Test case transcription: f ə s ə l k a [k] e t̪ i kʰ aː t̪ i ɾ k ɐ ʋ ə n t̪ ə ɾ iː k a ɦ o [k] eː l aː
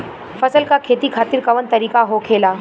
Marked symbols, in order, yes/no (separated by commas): no, no